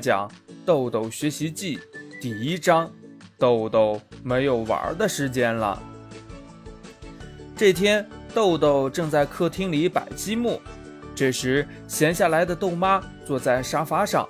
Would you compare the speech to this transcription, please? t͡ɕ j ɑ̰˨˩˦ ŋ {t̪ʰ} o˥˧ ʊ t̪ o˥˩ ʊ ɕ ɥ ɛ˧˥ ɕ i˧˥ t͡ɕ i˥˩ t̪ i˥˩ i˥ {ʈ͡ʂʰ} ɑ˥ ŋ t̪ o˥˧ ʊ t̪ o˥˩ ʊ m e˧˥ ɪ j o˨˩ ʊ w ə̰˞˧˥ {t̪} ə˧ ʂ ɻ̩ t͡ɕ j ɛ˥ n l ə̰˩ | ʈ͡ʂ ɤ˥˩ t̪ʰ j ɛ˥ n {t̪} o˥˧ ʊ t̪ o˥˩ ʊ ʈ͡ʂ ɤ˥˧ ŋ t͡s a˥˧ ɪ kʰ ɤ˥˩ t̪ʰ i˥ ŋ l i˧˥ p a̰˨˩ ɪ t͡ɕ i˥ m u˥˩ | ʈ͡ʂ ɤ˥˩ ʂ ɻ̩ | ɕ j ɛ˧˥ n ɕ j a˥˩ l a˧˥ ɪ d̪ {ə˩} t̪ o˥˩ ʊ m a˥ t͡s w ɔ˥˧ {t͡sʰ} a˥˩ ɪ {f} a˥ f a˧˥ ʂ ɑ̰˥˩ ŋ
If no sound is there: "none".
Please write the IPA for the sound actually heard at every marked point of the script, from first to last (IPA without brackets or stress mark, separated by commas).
t̪, ʈ͡ʂ, d̪, t̪, ə˧, t͡s, ʂ